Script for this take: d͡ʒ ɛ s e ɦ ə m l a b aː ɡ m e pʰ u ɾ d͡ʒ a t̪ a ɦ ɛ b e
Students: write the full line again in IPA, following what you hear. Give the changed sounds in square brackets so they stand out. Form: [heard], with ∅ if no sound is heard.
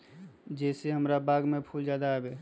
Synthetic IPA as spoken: d͡ʒ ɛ s e ɦ ə m [ɾ] a b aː ɡ m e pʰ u [l] d͡ʒ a [d̪] a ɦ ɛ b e